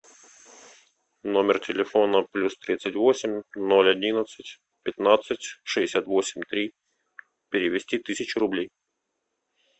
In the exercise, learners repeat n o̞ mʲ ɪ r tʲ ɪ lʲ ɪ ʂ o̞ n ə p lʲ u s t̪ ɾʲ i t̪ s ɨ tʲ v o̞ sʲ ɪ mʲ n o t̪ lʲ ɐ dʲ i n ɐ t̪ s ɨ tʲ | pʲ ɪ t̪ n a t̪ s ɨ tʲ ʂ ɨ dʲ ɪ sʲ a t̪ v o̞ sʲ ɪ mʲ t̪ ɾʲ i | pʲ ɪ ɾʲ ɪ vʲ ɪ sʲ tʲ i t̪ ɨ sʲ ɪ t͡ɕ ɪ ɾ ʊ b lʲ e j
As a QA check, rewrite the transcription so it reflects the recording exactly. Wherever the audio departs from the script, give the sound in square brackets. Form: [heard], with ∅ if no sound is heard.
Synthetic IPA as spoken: n o̞ mʲ ɪ r tʲ ɪ lʲ ɪ [f] o̞ n ə p lʲ u s t̪ ɾʲ i t̪ s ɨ tʲ v o̞ sʲ ɪ mʲ n o [∅] lʲ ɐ dʲ i n [ə] t̪ s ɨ tʲ | pʲ ɪ t̪ n a t̪ s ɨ tʲ ʂ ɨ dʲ ɪ sʲ a t̪ v o̞ sʲ ɪ mʲ t̪ ɾʲ i | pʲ ɪ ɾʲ ɪ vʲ ɪ sʲ tʲ i t̪ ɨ sʲ ɪ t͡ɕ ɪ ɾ ʊ b lʲ e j